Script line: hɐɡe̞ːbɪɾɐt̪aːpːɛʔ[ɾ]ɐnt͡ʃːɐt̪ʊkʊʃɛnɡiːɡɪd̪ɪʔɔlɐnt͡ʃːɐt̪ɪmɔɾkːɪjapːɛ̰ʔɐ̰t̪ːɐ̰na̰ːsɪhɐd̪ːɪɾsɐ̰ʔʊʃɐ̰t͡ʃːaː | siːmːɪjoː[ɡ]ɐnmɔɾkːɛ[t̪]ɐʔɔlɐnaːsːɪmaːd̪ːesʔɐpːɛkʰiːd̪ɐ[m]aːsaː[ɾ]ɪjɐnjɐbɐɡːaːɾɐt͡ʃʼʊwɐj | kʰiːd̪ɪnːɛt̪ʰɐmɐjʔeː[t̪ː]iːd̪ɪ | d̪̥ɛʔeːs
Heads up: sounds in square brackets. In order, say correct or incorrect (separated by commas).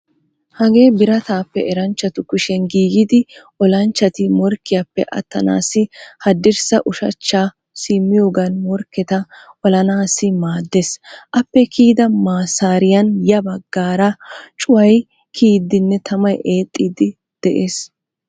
correct, correct, correct, correct, correct, incorrect